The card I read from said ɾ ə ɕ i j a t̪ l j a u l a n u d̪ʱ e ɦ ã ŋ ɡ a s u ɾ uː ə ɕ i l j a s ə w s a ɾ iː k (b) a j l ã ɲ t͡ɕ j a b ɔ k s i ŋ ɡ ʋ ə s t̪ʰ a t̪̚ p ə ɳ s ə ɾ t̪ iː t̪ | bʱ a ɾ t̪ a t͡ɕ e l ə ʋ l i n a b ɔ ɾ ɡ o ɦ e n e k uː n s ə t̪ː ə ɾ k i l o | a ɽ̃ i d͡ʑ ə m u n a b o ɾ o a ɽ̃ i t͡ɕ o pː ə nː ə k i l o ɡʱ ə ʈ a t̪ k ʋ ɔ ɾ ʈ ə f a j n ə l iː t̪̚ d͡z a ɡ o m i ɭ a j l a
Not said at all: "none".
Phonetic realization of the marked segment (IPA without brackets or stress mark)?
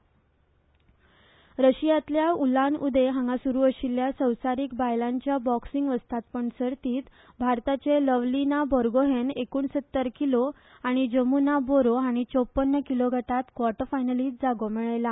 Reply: b